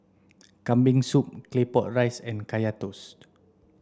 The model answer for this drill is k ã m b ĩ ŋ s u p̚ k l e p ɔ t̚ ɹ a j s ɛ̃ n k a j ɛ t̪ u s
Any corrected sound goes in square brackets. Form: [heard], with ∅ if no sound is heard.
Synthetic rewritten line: k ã m b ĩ ŋ s u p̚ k l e p ɔ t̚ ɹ a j s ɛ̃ n k a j [a] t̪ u s